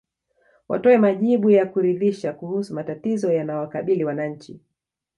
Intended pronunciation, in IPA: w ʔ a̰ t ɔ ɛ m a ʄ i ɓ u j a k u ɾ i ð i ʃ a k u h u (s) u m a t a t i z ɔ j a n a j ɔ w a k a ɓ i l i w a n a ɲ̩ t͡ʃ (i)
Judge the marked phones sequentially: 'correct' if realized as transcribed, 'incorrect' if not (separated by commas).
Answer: correct, correct